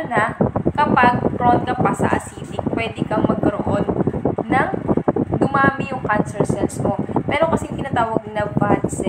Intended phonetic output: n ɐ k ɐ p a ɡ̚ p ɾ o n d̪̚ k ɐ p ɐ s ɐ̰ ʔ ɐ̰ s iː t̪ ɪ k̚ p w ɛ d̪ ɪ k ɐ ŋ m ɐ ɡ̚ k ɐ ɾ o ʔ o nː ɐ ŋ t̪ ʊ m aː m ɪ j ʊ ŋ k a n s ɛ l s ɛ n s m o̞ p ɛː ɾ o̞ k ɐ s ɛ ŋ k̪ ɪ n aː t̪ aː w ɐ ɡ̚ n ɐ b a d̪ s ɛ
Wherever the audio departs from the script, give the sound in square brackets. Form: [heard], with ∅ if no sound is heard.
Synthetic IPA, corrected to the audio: n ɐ k ɐ p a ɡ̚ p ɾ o n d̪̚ k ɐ p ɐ s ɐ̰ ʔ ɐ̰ s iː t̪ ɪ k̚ p w ɛ d̪ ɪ k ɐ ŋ m ɐ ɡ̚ k ɐ ɾ o ʔ o nː ɐ ŋ [d̪] ʊ m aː m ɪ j ʊ ŋ k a n s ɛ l s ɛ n s m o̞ p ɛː ɾ o̞ k ɐ s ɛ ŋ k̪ ɪ n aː t̪ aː w ɐ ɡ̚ n ɐ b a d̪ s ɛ